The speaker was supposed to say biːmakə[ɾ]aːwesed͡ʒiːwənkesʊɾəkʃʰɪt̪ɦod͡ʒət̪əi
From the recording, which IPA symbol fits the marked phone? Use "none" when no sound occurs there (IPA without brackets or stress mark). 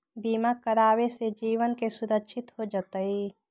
ɾ